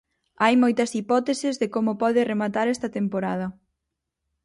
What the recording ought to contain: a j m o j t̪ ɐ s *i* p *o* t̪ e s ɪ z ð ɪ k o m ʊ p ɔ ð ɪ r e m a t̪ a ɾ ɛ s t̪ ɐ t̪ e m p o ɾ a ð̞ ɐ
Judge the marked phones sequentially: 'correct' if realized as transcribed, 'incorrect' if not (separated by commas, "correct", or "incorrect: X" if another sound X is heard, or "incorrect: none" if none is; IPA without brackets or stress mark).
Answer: correct, incorrect: ɔ